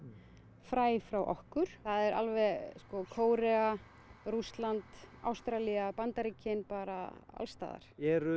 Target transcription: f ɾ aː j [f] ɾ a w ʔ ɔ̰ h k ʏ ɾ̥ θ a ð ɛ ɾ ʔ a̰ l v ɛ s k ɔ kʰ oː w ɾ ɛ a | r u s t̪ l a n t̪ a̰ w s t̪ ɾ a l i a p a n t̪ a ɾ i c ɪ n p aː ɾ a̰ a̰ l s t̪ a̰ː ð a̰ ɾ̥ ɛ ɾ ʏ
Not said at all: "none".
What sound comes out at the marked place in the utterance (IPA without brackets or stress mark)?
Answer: f